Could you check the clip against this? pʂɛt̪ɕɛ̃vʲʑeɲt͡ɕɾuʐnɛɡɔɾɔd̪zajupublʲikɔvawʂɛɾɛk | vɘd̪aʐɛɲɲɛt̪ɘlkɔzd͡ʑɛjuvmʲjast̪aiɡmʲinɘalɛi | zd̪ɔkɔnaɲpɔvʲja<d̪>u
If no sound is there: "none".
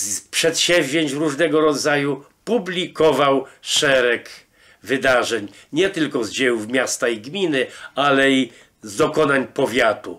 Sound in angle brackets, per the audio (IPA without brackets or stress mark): t̪